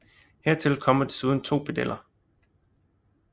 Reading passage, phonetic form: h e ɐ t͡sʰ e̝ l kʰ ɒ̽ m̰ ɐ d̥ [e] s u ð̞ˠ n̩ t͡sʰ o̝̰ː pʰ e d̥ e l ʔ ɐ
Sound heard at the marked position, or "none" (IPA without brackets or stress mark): e